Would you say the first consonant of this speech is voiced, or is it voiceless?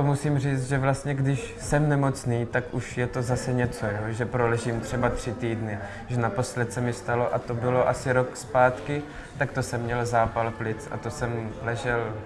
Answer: voiced